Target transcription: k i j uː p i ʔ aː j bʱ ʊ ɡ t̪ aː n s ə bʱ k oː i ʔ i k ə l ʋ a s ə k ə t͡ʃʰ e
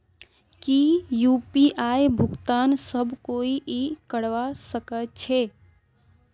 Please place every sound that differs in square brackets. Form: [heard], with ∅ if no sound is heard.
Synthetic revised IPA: k i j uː p i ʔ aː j bʱ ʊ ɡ t̪ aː n s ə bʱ k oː i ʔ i k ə [ɽ] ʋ a s ə k ə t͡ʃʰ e